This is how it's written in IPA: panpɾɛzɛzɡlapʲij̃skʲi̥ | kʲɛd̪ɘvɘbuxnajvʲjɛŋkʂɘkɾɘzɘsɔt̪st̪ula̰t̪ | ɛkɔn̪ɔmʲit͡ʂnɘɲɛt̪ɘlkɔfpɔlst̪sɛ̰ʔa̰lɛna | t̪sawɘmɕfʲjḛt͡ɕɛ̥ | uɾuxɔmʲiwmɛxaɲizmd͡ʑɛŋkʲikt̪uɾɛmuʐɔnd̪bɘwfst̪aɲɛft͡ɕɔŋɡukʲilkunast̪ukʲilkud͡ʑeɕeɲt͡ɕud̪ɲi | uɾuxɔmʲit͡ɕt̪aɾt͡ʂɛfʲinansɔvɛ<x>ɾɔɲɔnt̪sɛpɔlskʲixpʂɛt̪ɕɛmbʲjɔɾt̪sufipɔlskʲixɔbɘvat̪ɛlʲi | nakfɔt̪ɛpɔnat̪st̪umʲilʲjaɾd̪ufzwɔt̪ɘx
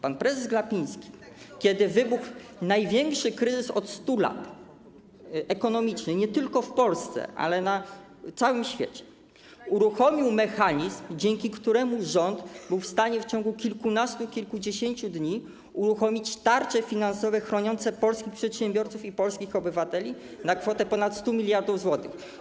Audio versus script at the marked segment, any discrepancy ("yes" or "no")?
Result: no